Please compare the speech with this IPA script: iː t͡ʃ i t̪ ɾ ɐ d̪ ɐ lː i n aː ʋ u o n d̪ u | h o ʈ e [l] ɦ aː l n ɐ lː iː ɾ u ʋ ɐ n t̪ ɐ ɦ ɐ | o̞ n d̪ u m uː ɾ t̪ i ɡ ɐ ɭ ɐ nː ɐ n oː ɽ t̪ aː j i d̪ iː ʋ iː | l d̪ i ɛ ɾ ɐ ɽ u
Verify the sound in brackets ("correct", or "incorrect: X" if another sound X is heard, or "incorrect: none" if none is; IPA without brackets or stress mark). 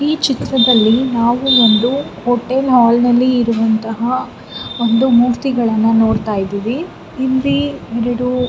correct